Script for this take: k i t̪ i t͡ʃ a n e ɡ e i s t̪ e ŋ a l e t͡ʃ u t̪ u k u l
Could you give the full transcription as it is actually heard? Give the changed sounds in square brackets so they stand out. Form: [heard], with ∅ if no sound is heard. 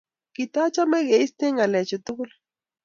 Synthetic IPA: k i t̪ [a] t͡ʃ a [m] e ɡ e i s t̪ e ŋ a l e t͡ʃ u t̪ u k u l